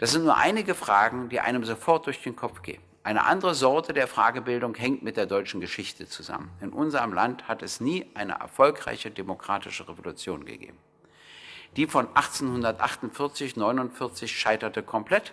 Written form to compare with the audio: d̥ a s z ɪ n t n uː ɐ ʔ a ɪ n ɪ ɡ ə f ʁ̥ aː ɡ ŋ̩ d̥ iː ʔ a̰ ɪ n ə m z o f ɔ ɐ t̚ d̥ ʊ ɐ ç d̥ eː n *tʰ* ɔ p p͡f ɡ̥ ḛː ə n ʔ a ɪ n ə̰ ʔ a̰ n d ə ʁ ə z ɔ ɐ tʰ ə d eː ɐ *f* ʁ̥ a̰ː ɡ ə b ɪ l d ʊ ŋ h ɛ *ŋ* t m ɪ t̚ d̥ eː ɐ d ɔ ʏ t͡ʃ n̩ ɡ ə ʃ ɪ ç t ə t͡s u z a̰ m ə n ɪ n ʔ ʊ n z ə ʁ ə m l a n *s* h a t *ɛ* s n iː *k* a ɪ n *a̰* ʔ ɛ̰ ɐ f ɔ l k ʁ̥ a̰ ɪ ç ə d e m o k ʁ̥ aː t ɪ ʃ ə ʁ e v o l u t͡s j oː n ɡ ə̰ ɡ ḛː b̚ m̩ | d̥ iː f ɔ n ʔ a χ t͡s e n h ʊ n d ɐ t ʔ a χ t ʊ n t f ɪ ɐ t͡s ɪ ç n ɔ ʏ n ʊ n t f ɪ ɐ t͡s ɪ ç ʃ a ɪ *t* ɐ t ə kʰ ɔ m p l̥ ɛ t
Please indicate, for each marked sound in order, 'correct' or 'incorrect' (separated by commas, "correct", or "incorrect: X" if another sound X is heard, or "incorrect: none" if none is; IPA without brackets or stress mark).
incorrect: kʰ, correct, correct, incorrect: t, correct, incorrect: ʔ, incorrect: ə̰, correct